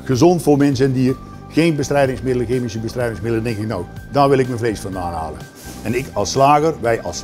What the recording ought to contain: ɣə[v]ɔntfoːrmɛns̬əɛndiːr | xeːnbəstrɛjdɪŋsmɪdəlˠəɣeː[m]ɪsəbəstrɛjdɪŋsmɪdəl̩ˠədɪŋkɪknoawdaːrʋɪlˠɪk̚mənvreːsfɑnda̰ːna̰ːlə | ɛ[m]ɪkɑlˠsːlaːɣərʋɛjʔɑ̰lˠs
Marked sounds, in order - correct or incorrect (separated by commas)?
incorrect, correct, incorrect